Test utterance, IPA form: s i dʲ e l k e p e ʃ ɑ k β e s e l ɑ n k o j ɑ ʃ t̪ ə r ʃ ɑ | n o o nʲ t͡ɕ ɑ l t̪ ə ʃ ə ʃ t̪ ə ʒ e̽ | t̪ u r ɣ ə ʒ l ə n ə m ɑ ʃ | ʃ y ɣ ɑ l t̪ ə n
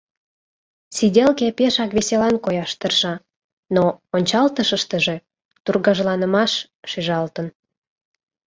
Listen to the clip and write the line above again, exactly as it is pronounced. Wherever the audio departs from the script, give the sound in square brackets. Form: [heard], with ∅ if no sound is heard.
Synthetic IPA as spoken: s i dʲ e l k e p e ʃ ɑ k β e s e l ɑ n k o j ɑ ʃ t̪ ə r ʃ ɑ | n o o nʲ t͡ɕ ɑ l t̪ ə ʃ ə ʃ t̪ ə ʒ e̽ | t̪ u r ɣ [ɑ] ʒ l [ɑ] n ə m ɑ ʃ | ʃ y [ʒ] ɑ l t̪ ə n

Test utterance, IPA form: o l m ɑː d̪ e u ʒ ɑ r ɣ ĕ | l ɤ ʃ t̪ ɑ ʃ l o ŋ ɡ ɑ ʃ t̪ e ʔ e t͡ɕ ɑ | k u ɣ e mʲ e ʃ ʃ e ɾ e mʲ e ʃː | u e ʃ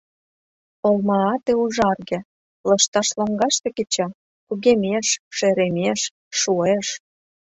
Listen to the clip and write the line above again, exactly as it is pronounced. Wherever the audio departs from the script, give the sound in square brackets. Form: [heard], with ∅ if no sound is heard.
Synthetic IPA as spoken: o l m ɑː [t̪] e u ʒ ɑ r ɣ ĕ | l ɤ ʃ t̪ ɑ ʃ l o ŋ ɡ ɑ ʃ t̪ e [k] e t͡ɕ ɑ | k u ɣ e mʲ e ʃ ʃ e ɾ e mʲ e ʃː | u e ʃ

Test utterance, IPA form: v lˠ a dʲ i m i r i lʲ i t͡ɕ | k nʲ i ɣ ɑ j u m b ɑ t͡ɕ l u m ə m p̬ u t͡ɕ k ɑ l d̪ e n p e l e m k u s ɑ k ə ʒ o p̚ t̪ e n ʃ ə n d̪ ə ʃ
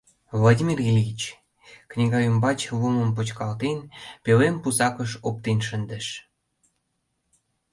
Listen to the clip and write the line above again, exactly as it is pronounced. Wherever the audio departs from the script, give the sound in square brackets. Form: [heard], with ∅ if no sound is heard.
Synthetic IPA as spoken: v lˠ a dʲ i m i r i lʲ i t͡ɕ | k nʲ i ɣ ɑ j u m b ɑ t͡ɕ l u m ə m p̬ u t͡ɕ k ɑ l [t̪] e n p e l e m [p] u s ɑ k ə [ʃ] o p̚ t̪ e n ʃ ə n d̪ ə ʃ

